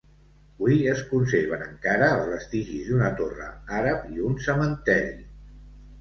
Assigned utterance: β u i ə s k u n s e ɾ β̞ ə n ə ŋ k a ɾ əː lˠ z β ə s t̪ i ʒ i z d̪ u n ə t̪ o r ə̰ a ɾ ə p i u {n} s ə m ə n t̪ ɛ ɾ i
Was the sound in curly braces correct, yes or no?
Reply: yes